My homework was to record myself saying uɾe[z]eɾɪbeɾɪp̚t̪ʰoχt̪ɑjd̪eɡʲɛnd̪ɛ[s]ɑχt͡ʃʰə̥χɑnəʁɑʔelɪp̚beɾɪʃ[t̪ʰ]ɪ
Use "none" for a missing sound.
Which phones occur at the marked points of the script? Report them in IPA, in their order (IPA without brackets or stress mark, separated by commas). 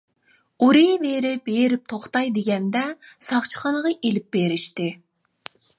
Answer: v, s, t̪